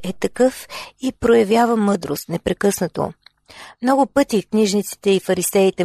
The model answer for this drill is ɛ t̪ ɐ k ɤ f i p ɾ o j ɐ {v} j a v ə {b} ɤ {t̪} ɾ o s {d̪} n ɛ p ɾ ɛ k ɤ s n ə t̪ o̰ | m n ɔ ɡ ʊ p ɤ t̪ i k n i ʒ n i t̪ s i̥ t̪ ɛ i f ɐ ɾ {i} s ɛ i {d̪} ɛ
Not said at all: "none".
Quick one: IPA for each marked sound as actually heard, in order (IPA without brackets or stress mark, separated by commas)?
v, m, d̪, t̪, i, t̪